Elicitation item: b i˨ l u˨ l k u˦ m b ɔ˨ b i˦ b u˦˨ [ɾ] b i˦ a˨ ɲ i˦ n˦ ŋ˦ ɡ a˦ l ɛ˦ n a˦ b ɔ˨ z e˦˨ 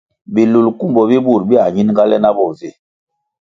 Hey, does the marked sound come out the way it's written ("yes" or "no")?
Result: yes